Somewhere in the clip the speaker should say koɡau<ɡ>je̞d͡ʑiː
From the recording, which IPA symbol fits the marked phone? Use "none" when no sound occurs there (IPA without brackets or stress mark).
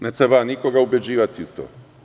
b